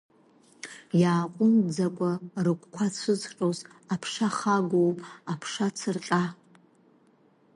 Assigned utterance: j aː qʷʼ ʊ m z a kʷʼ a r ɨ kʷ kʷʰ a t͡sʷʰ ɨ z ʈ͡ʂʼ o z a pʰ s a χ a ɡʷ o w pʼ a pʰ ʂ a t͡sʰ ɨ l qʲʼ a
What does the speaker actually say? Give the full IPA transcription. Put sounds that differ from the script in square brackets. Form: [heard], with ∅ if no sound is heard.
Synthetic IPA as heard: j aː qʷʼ ʊ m [d͡z] a kʷʼ a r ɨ kʷ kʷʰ a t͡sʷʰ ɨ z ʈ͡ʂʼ o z a pʰ [ʂ] a χ a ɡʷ o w pʼ a pʰ ʂ a t͡sʰ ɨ [r] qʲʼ a

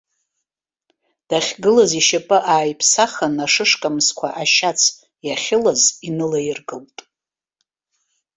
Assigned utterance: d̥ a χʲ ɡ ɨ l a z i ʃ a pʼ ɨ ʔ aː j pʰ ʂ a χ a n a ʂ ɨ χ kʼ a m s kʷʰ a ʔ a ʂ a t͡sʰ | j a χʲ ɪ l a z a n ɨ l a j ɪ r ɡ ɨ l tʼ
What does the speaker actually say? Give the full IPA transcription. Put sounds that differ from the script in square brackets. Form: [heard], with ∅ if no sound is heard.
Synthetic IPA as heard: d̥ a χʲ ɡ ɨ l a z i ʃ a pʼ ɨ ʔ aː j pʰ [s] a χ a n a ʂ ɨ [ʂ] kʼ a m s kʷʰ a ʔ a [ʃ] a t͡sʰ | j a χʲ ɪ l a z [i] n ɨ l a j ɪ r ɡ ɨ l tʼ

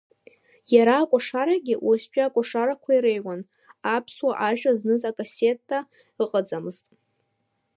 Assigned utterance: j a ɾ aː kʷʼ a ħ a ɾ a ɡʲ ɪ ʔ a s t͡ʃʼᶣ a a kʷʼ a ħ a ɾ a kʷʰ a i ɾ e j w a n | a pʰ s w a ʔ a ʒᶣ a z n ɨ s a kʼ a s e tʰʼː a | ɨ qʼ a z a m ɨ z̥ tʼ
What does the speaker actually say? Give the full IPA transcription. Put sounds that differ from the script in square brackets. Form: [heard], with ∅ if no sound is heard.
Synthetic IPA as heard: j a ɾ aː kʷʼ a [ʂ] a ɾ a ɡʲ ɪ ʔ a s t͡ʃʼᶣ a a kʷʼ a [ʂ] a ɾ a kʷʰ a i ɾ e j w a n | a pʰ s w a ʔ a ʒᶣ a z n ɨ [z] a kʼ a s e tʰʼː a | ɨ qʼ a [d͡z] a m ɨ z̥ tʼ

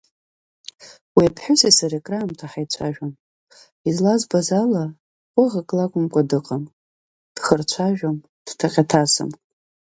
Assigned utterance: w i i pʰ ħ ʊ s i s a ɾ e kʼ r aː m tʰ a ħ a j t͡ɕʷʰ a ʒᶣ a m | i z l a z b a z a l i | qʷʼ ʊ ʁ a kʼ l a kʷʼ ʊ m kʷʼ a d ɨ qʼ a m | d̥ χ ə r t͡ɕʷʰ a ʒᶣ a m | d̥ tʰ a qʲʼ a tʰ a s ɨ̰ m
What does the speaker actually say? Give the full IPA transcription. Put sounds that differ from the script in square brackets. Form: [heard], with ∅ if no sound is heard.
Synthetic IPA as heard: w i [a] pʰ ħ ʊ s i s a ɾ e kʼ r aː m tʰ a ħ a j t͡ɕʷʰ a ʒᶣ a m | i z l a z b a z a l [a] | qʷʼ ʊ ʁ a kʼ l a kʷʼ ʊ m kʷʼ a d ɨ qʼ a m | d̥ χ ə r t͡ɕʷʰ a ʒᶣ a m | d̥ tʰ a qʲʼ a tʰ a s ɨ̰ m

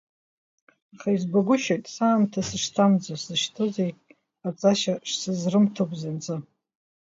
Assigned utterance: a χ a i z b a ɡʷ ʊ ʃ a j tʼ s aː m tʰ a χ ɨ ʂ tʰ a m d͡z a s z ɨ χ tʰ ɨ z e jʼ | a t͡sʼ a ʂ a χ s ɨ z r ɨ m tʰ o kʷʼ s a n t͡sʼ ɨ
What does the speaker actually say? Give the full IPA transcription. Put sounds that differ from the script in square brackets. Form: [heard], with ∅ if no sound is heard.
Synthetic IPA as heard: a χ a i z b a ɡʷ ʊ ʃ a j tʼ s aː m tʰ a [s] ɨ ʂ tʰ a m d͡z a s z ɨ [ʃ] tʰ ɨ z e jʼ | a t͡sʼ a [ʃ] a [ʂ] s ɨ z r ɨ m tʰ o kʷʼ [z] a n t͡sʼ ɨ

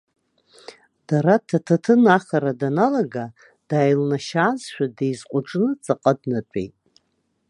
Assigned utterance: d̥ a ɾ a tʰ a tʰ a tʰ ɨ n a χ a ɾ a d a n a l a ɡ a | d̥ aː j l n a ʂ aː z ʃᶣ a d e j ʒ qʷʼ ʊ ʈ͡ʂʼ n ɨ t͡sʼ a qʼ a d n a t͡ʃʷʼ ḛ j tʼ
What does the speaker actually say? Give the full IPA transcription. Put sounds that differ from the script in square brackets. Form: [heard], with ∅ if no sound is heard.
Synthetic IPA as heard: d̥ a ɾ a tʰ a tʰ a tʰ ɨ n a χ a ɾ a d a n a l a ɡ a | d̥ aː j l n a [ʃ] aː z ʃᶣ a d e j [z] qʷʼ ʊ ʈ͡ʂʼ n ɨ t͡sʼ a qʼ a d n a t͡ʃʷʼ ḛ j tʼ

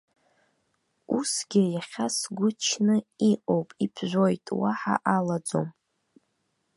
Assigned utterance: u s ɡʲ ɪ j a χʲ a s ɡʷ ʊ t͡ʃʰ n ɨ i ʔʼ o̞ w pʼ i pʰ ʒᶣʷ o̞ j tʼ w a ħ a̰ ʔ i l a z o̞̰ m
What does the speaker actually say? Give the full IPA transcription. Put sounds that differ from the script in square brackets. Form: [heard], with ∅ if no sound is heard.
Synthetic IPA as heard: u s ɡʲ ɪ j a χʲ a s ɡʷ ʊ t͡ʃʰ n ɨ i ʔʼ o̞ w pʼ i pʰ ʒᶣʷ o̞ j tʼ w a ħ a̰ ʔ [a] l a [d͡z] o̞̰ m

